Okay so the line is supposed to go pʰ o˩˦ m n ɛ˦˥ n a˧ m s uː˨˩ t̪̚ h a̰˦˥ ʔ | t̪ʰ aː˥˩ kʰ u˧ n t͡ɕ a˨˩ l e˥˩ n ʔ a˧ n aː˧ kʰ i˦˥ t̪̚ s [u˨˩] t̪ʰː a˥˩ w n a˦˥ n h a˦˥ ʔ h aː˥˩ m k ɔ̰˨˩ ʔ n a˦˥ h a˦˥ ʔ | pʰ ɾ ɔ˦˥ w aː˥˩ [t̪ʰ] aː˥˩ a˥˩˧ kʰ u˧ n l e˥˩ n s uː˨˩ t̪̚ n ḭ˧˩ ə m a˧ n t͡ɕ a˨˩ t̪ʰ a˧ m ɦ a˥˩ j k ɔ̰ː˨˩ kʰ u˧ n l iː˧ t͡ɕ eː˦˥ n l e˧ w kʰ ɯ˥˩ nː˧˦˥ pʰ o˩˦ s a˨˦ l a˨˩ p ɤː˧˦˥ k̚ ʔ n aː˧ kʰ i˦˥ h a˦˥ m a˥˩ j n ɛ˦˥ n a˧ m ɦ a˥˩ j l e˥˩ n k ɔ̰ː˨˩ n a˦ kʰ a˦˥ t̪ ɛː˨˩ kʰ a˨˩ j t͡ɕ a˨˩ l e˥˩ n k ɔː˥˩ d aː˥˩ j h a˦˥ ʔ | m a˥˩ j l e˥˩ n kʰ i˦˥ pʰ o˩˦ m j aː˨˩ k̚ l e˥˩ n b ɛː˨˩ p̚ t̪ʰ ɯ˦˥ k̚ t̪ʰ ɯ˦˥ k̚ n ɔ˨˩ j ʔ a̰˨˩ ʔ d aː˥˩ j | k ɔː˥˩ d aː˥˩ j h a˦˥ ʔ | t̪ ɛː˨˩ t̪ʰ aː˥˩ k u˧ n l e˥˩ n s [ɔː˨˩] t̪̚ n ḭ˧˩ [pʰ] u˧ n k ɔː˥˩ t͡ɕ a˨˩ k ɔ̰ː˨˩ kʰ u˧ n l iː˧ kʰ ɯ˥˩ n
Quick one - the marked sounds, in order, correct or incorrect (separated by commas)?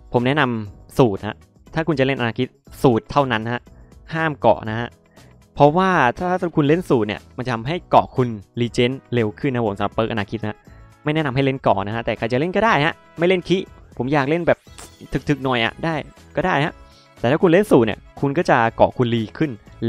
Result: incorrect, correct, incorrect, incorrect